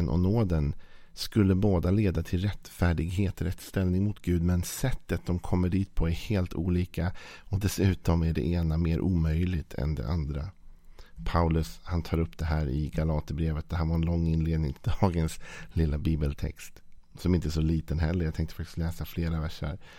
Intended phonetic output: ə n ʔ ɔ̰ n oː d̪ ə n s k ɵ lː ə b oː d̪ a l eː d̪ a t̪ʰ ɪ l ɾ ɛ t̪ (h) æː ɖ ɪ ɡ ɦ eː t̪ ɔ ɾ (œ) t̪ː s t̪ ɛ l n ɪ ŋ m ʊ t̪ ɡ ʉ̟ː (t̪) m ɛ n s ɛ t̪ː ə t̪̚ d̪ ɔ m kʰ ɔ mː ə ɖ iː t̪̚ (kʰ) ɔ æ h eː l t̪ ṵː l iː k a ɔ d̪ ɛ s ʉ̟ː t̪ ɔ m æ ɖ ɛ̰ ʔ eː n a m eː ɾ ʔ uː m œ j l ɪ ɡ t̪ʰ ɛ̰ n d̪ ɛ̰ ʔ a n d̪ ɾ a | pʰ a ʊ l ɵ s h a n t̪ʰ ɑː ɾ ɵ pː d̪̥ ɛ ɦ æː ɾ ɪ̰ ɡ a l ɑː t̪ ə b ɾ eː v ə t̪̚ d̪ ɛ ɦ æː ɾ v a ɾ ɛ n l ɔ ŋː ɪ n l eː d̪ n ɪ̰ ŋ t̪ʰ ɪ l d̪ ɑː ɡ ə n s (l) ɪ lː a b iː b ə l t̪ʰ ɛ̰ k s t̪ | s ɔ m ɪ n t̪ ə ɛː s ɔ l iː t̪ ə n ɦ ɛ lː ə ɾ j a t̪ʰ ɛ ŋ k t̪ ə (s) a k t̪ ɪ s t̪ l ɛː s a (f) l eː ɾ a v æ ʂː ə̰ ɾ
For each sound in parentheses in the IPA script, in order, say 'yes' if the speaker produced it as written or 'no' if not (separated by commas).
no, no, no, no, yes, no, yes